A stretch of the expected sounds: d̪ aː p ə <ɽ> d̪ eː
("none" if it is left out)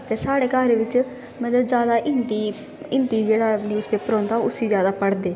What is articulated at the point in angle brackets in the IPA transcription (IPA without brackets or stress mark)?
ɽ